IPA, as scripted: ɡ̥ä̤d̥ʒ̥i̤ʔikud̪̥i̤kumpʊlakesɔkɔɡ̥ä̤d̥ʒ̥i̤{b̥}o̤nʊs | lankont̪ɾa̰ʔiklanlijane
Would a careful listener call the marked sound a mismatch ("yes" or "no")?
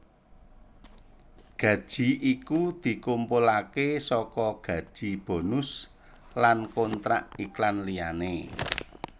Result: no